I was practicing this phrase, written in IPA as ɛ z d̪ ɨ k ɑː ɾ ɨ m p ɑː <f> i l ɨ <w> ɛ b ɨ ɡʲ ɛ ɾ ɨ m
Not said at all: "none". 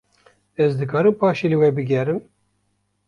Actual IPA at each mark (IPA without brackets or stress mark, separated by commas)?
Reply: ʃ, w